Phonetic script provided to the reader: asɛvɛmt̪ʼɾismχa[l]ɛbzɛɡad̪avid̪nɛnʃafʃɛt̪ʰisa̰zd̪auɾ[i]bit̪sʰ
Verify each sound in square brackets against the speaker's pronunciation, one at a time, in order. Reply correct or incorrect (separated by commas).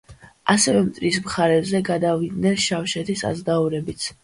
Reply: incorrect, incorrect